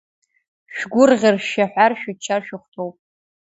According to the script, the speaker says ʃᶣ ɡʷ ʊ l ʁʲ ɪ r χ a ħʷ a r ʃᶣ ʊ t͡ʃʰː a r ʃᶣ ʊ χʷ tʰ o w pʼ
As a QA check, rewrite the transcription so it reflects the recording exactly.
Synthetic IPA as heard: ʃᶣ ɡʷ ʊ r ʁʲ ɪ r ʃ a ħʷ a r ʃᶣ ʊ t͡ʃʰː a r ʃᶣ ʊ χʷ tʰ o w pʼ